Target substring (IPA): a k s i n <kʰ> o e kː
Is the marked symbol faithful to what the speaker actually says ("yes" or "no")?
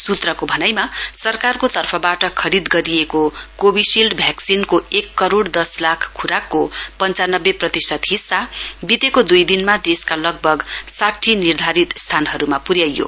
no